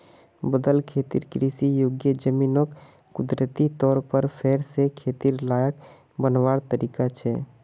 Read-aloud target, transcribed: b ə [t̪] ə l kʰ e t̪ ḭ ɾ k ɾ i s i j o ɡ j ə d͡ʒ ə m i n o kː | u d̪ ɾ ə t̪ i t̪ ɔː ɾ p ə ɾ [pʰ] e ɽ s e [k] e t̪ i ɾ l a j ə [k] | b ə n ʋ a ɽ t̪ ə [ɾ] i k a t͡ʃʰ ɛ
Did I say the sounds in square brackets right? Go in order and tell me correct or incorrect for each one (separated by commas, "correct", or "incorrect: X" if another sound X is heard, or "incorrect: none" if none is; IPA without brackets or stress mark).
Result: incorrect: d̪, correct, incorrect: kʰ, correct, correct